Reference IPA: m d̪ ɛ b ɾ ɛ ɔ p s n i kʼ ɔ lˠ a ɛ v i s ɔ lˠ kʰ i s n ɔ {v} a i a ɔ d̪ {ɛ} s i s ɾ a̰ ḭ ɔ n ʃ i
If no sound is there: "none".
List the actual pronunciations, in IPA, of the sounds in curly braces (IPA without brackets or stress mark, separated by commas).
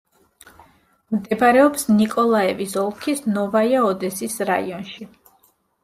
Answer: v, ɛ